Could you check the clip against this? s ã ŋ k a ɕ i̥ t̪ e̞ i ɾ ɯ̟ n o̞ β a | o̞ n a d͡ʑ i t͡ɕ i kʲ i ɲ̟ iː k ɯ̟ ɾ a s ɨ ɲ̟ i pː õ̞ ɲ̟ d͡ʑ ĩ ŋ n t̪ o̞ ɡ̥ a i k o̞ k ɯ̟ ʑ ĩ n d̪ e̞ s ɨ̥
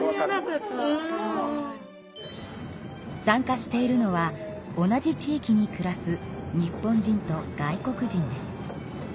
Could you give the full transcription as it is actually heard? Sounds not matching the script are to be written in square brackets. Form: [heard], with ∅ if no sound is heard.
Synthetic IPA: s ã ŋ k a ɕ i̥ t̪ e̞ i ɾ ɯ̟ n o̞ β a | o̞ n a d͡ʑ i t͡ɕ [iː] kʲ i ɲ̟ [i] k ɯ̟ ɾ a s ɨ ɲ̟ i pː õ̞ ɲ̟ d͡ʑ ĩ [∅] n t̪ o̞ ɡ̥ a i k o̞ k ɯ̟ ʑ ĩ n d̪ e̞ s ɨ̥

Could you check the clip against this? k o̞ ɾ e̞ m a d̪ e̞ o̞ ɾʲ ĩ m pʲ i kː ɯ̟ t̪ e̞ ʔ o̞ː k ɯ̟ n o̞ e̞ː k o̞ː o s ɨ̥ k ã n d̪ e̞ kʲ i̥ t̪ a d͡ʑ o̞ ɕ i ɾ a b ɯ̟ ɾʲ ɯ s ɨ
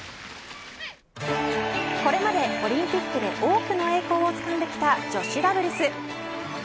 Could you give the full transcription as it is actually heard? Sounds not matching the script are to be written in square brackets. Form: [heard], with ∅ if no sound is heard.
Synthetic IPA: k o̞ ɾ e̞ m a d̪ e̞ o̞ ɾʲ ĩ m pʲ i kː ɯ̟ [d̪] e̞ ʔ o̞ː k ɯ̟ n o̞ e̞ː k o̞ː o [t͡s] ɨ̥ k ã n d̪ e̞ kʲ i̥ t̪ a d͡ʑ o̞ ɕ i ɾ a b ɯ̟ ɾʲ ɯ s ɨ

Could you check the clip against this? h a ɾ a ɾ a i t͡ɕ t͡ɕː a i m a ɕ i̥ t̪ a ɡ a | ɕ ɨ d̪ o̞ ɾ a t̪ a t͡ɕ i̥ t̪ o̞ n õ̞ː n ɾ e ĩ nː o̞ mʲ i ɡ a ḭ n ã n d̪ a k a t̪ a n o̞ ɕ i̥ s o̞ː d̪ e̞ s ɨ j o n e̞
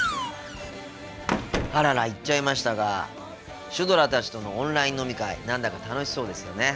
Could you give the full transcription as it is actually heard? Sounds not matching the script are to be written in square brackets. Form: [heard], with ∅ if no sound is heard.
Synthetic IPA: h a ɾ a ɾ a i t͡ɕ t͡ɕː a i m a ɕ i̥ t̪ a ɡ a | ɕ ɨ d̪ o̞ ɾ a t̪ a t͡ɕ i̥ t̪ o̞ n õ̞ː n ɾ [a] ĩ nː o̞ mʲ i [k] a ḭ n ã n d̪ a k a t̪ a n o̞ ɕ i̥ s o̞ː d̪ e̞ s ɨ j o n e̞

